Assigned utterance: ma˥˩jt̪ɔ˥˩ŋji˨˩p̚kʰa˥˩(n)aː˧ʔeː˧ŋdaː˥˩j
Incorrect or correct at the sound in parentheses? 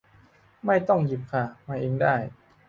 incorrect: m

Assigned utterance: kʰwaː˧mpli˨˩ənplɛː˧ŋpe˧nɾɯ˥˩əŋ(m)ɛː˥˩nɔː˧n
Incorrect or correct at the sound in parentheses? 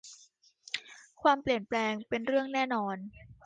incorrect: n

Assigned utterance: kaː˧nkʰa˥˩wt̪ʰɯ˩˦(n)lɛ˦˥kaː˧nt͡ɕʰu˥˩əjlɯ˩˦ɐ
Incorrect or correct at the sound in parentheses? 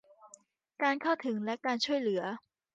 incorrect: ŋ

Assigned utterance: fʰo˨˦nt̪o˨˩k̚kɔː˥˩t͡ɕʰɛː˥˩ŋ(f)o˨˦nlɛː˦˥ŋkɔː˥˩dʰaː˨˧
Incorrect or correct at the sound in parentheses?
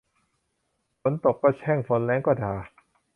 correct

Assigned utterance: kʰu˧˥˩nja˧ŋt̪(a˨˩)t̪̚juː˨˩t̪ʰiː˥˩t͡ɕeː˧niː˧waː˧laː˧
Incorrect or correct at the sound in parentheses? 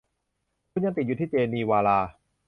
incorrect: i˨˩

